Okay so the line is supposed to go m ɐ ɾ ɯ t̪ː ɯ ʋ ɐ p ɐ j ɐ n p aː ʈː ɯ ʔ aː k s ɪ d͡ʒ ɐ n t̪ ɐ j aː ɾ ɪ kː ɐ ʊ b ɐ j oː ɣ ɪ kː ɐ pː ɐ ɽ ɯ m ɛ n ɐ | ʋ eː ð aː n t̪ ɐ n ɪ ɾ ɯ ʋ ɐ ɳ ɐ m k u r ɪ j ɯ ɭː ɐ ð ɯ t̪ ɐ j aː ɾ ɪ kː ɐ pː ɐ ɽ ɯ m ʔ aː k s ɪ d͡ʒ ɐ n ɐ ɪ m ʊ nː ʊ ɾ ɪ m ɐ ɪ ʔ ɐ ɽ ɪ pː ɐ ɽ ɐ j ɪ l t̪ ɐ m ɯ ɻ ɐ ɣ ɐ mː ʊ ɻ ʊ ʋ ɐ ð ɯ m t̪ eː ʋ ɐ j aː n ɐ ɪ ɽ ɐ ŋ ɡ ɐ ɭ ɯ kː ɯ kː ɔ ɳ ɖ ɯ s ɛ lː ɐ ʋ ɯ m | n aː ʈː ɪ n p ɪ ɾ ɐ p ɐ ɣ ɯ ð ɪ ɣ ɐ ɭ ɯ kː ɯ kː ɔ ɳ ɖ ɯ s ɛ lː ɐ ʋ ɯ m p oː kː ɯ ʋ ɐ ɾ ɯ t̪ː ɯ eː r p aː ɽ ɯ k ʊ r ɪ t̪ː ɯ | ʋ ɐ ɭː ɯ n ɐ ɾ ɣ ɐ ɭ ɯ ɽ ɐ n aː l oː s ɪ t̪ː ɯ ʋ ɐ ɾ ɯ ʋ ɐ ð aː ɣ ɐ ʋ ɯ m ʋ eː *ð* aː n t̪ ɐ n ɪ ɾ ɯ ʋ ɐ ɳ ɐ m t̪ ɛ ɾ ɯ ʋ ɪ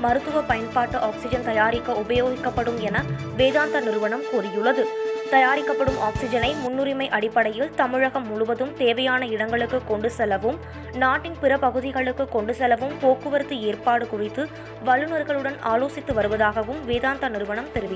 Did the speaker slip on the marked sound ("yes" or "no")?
no